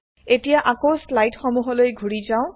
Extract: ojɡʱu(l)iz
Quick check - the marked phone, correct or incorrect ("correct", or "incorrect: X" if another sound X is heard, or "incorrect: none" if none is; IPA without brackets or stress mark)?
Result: incorrect: ɹ